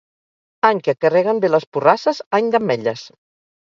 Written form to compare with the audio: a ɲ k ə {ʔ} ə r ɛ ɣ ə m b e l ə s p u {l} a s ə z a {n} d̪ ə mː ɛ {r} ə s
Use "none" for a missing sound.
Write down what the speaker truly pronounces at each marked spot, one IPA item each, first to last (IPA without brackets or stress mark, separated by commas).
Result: k, r, ɲ, ʎ